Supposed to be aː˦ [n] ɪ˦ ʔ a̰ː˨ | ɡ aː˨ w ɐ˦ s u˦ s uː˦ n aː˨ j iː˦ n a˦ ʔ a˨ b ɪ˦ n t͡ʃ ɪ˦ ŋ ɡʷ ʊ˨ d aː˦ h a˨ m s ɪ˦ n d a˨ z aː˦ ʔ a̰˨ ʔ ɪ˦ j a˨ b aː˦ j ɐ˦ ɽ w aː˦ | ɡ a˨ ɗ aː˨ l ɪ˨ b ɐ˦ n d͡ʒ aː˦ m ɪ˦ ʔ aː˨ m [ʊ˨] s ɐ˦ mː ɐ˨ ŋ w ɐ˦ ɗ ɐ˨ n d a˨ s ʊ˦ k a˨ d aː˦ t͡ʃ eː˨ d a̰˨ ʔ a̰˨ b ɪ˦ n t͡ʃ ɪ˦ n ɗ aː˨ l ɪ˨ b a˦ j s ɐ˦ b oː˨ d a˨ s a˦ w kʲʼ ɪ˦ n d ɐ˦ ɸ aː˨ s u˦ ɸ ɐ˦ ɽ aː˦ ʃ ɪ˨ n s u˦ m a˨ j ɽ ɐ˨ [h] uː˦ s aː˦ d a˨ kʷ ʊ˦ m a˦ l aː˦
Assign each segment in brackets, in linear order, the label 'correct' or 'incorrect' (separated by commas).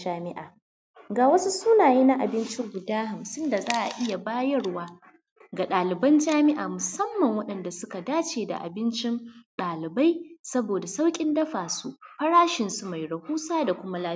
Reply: incorrect, correct, correct